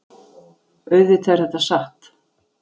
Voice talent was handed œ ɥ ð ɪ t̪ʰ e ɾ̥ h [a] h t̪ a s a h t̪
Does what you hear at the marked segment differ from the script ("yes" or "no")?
yes